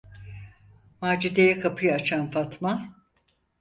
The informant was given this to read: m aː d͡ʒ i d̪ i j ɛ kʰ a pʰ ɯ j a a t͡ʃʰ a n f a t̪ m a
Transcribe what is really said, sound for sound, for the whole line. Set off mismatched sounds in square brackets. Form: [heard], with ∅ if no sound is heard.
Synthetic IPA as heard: m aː d͡ʒ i d̪ [e] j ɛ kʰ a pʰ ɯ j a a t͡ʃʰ a n f a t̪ m a